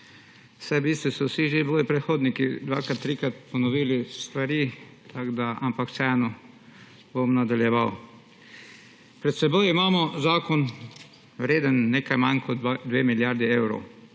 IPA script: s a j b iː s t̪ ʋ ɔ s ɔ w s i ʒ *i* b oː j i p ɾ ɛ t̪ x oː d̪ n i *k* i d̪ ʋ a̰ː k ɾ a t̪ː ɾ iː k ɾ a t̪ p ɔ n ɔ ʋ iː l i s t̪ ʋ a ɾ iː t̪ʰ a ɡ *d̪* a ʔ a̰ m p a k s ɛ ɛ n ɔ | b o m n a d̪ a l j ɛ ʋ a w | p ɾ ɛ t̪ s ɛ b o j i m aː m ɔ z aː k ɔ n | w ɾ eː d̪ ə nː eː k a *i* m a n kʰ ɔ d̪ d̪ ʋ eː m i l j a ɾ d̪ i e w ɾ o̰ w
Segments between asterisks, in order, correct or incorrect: incorrect, correct, correct, incorrect

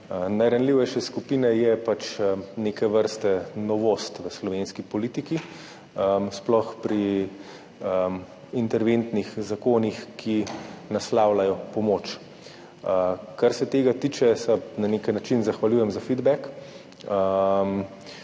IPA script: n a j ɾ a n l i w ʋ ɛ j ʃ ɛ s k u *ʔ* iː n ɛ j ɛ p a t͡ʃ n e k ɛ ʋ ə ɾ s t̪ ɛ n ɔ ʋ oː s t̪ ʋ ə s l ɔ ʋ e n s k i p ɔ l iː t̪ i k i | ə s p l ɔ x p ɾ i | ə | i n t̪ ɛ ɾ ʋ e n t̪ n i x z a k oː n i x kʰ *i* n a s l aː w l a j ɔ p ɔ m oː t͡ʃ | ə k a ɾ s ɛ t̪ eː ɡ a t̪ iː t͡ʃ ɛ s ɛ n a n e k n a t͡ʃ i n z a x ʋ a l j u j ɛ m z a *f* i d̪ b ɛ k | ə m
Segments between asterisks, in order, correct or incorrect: incorrect, correct, correct

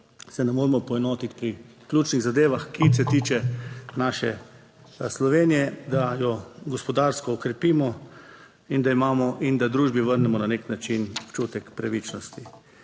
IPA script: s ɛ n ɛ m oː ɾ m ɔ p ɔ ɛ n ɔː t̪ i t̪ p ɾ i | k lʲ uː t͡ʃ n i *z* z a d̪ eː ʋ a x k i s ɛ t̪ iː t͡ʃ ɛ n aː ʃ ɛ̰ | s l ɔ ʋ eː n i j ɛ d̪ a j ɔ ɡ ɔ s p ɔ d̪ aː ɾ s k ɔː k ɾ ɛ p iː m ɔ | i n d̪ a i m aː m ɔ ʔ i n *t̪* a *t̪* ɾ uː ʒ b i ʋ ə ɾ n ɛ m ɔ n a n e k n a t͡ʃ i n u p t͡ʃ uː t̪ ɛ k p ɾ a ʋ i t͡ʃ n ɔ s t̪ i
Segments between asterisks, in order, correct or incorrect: incorrect, incorrect, incorrect

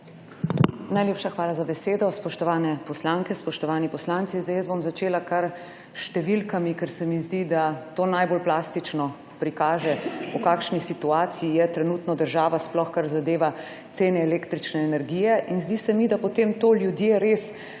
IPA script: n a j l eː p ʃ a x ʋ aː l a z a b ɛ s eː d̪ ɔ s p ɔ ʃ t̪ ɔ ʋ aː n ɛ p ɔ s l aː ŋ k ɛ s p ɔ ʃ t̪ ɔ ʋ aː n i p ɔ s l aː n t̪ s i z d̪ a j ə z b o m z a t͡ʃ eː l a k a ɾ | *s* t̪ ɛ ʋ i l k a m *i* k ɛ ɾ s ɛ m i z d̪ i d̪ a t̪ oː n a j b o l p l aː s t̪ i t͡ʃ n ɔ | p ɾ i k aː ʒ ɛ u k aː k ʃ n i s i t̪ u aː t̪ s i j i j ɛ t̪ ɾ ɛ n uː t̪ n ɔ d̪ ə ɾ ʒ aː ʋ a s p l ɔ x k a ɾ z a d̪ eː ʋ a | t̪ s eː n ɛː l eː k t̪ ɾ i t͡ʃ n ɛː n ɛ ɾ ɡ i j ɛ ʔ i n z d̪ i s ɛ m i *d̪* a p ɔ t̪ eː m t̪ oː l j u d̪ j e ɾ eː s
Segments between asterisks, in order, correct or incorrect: incorrect, correct, correct

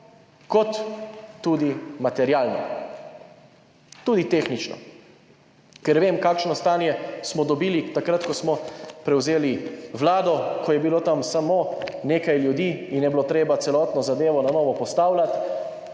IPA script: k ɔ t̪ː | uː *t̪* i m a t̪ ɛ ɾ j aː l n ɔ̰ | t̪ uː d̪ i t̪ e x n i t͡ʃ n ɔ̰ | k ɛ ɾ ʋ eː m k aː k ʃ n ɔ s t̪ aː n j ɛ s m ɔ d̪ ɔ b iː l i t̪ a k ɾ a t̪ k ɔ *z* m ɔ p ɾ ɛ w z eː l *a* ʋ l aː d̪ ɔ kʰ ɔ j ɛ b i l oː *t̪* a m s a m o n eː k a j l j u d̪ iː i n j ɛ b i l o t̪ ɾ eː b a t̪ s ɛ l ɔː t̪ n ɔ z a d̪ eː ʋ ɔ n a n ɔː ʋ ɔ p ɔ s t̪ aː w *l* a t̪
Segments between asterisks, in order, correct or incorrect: incorrect, incorrect, incorrect, correct, correct

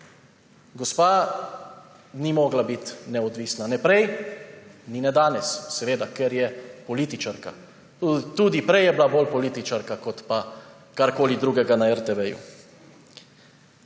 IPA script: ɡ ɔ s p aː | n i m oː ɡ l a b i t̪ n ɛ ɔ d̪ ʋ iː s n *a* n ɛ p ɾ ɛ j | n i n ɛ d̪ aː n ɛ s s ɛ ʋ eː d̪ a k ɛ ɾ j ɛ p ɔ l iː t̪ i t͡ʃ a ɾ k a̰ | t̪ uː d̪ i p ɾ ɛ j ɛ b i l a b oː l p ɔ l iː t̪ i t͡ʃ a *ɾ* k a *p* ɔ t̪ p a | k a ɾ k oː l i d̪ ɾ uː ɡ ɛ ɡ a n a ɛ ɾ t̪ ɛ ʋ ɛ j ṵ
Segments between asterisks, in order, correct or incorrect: correct, correct, incorrect

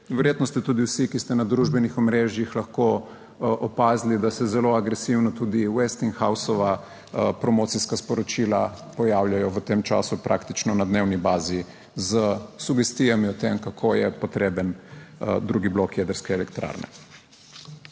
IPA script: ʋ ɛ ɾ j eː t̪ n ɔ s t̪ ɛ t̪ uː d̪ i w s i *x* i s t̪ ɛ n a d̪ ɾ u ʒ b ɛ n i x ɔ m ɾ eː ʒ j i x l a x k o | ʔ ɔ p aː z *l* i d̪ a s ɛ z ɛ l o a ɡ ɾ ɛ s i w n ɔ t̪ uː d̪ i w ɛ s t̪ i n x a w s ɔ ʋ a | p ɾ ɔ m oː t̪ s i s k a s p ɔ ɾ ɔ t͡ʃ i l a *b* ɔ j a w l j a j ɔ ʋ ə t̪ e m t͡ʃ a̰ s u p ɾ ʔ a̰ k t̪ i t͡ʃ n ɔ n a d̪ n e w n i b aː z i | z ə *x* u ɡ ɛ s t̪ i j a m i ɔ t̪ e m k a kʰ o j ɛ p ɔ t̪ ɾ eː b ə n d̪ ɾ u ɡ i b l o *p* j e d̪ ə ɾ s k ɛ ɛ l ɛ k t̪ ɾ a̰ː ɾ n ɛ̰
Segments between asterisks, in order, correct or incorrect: incorrect, correct, incorrect, incorrect, incorrect

